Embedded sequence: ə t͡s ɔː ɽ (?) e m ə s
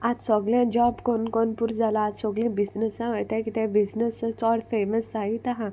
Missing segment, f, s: f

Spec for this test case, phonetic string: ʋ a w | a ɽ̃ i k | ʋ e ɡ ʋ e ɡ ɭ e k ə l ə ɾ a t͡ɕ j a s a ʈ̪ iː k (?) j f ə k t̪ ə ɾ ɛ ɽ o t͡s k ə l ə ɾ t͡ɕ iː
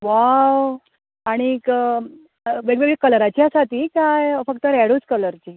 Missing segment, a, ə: a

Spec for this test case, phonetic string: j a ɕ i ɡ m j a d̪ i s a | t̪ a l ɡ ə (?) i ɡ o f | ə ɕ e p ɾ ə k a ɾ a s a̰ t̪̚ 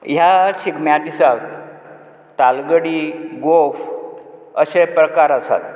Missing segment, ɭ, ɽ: ɽ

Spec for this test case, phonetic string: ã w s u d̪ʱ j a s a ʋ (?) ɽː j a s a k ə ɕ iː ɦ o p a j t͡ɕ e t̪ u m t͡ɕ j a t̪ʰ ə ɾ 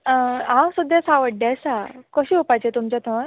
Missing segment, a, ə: ə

